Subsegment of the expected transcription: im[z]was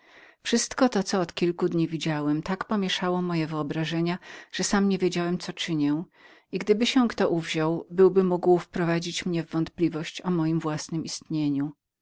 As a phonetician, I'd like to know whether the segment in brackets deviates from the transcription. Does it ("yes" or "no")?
yes